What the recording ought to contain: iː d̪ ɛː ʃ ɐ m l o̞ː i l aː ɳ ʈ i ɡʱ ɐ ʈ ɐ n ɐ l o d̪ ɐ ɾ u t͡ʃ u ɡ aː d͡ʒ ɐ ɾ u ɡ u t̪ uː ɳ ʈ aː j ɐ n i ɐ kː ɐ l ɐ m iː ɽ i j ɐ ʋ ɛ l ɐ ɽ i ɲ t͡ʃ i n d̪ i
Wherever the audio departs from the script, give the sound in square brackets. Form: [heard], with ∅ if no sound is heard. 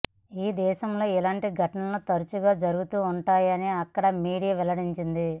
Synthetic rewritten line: iː d̪ ɛː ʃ ɐ m l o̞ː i l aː ɳ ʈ i ɡʱ ɐ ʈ ɐ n ɐ l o [t̪] ɐ ɾ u t͡ʃ u ɡ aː d͡ʒ ɐ ɾ u ɡ u t̪ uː ɳ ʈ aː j ɐ n i ɐ kː ɐ [ɽ] ɐ m iː ɽ i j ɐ ʋ ɛ l ɐ ɽ i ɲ t͡ʃ i n d̪ i

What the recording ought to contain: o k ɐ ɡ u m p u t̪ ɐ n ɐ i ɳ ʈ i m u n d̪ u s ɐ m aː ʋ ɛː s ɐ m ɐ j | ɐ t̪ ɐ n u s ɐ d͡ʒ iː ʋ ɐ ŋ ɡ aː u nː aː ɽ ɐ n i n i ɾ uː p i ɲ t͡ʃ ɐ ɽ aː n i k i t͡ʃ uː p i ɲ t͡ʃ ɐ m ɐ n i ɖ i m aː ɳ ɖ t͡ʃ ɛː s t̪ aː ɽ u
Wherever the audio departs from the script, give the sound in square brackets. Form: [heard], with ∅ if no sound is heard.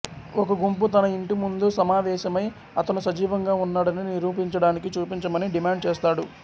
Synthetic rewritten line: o k ɐ ɡ u m p u t̪ ɐ n ɐ i ɳ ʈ i m u n d̪ u s ɐ m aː ʋ ɛː [ʃ] ɐ m ɐ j | ɐ t̪ ɐ n u s ɐ d͡ʒ iː ʋ ɐ ŋ ɡ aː u nː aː ɽ ɐ n i n i ɾ uː p i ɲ t͡ʃ ɐ ɽ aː n i k i t͡ʃ uː p i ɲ t͡ʃ ɐ m ɐ n i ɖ i m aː ɳ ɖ t͡ʃ ɛː s t̪ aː ɽ u

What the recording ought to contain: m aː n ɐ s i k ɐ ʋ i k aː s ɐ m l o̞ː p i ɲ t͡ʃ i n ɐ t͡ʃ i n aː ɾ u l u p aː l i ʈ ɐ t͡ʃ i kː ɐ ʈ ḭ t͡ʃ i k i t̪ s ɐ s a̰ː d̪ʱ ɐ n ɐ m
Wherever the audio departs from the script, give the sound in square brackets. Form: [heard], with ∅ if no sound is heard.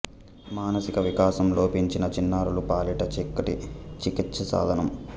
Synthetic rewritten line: m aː n ɐ s i k ɐ ʋ i k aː s ɐ m l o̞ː p i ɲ t͡ʃ i n ɐ t͡ʃ i [nː] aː ɾ u l u p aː l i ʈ ɐ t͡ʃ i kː ɐ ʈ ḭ t͡ʃ i k i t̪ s ɐ s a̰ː d̪ʱ ɐ n ɐ m

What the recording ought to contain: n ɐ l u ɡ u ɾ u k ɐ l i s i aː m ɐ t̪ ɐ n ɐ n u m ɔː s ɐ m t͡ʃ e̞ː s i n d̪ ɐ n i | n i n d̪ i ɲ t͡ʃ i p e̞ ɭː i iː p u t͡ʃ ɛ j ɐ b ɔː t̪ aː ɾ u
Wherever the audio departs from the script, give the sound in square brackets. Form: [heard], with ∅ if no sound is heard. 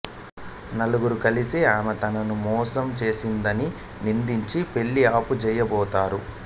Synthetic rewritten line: n ɐ l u ɡ u ɾ u k ɐ l i s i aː m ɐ t̪ ɐ n ɐ n u m ɔː s ɐ m t͡ʃ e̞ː s i n d̪ ɐ n i | n i n d̪ i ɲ t͡ʃ i p e̞ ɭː i [aː] p u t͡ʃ ɛ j ɐ b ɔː t̪ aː ɾ u

